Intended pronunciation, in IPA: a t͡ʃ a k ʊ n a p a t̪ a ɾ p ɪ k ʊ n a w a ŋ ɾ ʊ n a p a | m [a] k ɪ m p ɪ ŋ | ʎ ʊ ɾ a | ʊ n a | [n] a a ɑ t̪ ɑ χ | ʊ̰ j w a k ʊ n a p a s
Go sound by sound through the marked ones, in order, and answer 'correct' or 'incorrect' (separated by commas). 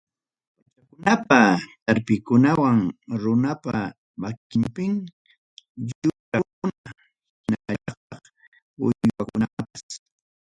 correct, correct